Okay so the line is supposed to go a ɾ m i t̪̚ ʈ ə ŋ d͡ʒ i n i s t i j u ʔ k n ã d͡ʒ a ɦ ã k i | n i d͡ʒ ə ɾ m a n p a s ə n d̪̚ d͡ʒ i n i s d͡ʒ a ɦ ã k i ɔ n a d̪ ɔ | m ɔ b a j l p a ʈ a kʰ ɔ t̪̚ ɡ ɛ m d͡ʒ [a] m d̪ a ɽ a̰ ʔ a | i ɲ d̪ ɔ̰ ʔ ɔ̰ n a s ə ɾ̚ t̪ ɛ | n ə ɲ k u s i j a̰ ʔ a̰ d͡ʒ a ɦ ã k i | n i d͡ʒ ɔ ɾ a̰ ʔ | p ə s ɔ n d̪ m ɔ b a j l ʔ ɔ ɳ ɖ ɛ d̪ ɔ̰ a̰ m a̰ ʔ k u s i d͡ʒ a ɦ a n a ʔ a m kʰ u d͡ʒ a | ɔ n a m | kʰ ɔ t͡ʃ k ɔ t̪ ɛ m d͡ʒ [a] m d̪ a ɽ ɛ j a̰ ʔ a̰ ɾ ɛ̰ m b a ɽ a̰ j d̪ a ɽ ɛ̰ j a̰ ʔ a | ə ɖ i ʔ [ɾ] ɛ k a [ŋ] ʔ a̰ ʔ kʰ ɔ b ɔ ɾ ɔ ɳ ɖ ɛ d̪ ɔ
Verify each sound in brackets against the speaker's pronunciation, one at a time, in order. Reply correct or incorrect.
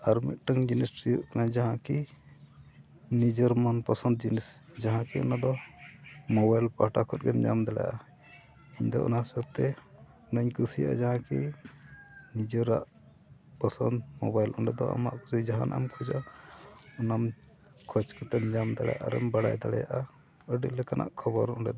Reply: correct, correct, incorrect, incorrect

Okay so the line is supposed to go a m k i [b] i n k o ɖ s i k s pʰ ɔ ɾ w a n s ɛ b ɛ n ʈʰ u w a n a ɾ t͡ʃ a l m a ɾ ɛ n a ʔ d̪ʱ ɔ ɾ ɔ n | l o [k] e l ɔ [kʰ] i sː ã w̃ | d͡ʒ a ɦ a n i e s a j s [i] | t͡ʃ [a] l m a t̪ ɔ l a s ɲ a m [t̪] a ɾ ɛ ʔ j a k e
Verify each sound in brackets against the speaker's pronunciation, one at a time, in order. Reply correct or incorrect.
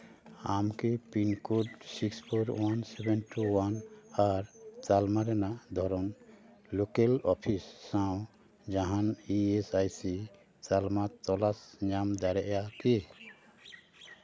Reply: incorrect, correct, incorrect, correct, correct, incorrect

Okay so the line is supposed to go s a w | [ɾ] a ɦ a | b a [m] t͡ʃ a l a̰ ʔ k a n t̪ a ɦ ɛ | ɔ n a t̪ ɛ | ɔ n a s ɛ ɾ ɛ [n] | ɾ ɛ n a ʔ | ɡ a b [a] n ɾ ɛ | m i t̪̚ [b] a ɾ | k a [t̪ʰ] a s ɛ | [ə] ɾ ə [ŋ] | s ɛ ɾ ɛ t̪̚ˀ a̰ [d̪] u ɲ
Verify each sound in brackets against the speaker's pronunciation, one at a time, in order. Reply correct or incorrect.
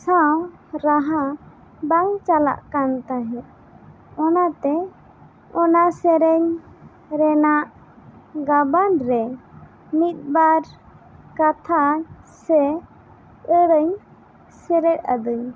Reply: correct, incorrect, incorrect, correct, correct, correct, correct, incorrect, correct

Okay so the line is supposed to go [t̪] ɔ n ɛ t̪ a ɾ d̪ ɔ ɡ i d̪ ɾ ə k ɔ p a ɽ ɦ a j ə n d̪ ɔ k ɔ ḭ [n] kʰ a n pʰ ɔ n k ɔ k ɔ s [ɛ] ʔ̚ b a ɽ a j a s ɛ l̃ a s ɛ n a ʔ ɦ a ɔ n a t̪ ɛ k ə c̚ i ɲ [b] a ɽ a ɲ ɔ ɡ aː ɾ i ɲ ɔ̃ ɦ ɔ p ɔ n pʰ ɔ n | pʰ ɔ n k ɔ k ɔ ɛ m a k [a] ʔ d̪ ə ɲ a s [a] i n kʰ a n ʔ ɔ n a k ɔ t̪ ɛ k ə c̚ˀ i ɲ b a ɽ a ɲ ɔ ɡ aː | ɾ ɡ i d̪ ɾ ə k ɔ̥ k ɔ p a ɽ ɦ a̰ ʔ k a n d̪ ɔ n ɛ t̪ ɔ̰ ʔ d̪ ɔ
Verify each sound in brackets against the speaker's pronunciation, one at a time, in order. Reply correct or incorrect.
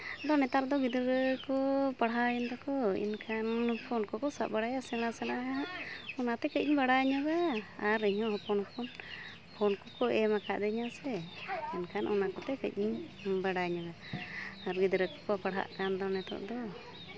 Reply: incorrect, correct, incorrect, correct, correct, incorrect

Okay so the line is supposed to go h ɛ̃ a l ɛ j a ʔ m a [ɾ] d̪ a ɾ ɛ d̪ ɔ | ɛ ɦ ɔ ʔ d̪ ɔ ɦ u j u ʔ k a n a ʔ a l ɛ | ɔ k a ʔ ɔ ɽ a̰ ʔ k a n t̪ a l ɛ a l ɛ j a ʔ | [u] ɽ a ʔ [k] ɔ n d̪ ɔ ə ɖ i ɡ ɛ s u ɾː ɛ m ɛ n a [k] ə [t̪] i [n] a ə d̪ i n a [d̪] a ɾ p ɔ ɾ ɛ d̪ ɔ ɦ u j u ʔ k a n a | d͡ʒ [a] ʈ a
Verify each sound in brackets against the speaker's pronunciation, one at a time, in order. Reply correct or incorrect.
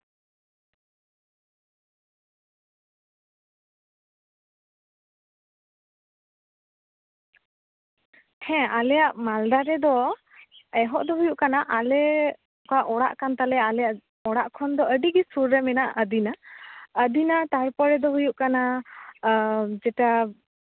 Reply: incorrect, incorrect, incorrect, incorrect, incorrect, correct, incorrect, incorrect

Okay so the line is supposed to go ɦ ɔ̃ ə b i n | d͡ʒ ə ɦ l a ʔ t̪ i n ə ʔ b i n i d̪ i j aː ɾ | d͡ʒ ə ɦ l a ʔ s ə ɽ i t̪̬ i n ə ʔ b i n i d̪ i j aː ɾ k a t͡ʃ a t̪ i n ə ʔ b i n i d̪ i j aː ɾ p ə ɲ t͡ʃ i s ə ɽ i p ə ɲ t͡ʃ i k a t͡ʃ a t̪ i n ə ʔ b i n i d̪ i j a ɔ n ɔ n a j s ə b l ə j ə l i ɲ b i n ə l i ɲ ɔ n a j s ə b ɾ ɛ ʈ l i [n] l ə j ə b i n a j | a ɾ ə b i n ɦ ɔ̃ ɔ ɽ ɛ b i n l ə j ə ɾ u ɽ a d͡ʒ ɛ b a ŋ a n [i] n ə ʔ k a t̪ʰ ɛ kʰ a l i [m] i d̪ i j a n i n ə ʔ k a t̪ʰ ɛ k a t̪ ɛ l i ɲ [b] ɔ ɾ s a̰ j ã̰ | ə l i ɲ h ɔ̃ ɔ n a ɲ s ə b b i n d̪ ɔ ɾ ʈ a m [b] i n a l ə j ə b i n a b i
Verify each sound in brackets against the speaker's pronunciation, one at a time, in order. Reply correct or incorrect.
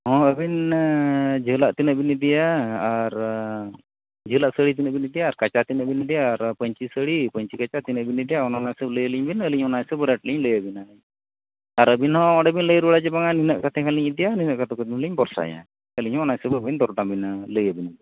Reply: incorrect, correct, incorrect, correct, correct

